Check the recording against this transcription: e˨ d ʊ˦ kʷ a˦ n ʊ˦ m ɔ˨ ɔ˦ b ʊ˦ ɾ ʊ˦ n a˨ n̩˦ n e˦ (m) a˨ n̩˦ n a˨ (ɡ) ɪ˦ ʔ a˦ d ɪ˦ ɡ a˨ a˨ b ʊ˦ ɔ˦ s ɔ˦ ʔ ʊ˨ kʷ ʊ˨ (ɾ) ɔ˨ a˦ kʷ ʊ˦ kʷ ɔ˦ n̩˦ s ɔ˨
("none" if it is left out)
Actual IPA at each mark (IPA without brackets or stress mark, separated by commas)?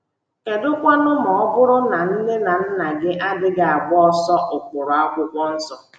n, ɡ, ɾ